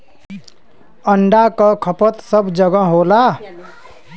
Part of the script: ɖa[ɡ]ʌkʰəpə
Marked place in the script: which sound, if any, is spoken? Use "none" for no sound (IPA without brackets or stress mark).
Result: k